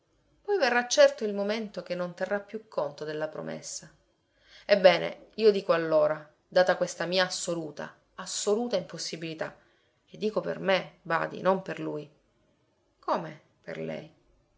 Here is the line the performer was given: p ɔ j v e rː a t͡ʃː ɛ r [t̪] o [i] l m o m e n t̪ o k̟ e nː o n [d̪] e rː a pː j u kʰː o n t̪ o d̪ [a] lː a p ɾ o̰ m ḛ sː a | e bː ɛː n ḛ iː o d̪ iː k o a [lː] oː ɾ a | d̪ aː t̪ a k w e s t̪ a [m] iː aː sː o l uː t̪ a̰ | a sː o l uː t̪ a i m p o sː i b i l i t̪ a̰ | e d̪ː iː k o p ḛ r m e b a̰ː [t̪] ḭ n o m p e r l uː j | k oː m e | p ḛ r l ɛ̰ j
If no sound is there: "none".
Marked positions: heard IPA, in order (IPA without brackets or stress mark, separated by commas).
t̪, i, t̪, e, lː, m, d̪